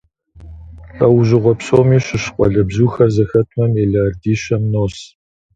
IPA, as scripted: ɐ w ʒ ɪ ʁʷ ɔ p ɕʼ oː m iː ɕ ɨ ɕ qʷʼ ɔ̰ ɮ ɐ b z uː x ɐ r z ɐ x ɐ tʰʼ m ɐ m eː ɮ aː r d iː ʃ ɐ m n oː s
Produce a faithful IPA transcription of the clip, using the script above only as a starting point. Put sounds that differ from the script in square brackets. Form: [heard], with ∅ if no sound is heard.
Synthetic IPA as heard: ɐ w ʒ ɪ ʁʷ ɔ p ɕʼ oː m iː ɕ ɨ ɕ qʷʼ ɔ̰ ɮ ɐ b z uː x ɐ r z ɐ x ɐ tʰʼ m ɐ m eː ɮ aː r d iː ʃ ɐ m n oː s